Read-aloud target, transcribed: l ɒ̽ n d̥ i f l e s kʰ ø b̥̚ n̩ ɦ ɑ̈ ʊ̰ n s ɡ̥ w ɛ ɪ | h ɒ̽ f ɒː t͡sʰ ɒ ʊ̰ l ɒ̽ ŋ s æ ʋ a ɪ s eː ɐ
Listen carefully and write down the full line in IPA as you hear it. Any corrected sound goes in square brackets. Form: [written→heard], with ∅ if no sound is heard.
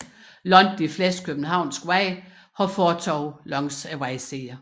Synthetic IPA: l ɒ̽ n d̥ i f l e s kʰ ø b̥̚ n̩ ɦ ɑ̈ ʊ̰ n s ɡ̥ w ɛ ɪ | h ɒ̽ f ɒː t͡sʰ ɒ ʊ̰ l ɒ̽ ŋ s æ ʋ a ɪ s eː ɐ